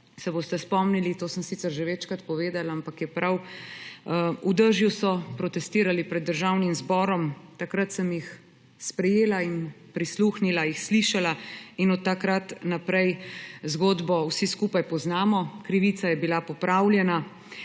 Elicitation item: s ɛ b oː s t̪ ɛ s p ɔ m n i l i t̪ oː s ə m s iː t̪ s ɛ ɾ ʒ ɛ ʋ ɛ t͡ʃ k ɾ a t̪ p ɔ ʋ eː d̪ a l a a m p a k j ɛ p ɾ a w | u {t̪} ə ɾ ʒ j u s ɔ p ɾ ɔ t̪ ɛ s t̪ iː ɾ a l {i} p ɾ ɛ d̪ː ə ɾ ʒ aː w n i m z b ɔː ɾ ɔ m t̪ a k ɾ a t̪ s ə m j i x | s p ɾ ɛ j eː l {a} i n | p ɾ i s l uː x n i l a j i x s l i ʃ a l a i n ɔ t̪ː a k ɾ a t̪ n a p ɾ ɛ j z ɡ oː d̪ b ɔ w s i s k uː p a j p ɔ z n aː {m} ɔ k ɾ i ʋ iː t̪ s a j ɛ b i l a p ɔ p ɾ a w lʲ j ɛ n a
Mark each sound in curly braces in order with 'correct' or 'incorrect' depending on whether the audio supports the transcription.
incorrect: d̪, correct, correct, correct

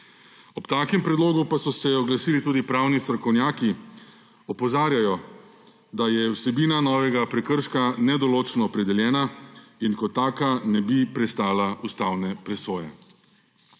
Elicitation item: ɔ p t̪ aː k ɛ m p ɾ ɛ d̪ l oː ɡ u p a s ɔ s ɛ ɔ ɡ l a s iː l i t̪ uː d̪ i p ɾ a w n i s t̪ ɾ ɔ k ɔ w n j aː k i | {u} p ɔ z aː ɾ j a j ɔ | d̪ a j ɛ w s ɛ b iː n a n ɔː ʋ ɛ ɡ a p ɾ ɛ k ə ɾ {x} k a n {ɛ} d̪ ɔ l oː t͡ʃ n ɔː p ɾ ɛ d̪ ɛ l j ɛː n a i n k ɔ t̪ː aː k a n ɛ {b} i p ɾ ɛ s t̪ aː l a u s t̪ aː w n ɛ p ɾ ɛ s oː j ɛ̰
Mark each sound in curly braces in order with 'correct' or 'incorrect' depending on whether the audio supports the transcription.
incorrect: ɔ, incorrect: ʃ, correct, correct

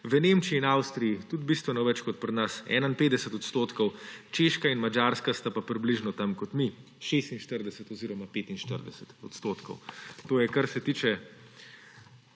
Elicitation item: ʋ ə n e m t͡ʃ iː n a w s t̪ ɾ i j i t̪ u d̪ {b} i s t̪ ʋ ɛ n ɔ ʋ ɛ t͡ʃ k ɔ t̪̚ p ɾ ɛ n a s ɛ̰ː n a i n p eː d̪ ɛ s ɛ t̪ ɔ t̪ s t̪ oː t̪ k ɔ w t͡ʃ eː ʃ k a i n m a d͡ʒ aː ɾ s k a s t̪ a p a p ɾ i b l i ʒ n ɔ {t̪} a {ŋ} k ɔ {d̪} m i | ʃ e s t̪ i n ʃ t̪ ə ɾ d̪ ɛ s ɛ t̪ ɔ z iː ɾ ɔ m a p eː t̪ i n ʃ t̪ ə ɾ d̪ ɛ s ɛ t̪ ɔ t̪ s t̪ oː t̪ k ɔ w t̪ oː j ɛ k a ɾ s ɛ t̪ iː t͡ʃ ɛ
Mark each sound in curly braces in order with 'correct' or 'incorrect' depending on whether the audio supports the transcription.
correct, correct, incorrect: m, incorrect: t̪

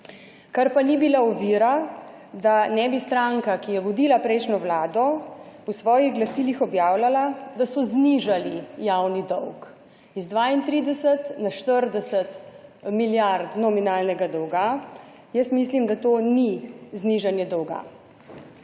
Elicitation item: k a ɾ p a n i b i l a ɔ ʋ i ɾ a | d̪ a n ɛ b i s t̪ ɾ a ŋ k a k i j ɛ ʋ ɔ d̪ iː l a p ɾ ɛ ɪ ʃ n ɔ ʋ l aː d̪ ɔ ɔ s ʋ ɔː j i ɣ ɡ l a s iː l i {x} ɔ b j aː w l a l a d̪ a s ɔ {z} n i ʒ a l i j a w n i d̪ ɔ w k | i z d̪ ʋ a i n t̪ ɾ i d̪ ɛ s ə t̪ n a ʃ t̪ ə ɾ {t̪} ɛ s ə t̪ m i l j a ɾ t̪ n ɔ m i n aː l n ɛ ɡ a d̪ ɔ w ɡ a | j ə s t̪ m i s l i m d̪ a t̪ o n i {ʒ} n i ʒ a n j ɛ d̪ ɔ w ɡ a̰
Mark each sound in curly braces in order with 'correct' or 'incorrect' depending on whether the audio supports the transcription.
correct, correct, incorrect: d̪, incorrect: z

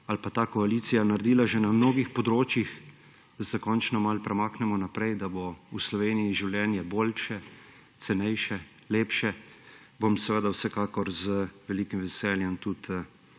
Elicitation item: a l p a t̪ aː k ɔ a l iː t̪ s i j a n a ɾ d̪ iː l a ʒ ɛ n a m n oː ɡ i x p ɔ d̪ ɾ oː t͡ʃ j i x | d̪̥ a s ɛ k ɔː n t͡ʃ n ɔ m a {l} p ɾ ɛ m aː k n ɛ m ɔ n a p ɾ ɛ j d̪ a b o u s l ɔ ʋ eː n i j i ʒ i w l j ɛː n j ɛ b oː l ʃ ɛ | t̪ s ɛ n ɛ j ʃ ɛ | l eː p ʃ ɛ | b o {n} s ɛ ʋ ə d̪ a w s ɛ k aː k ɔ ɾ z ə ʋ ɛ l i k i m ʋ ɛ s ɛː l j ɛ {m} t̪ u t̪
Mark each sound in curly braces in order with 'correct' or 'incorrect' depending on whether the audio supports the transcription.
correct, incorrect: m, correct

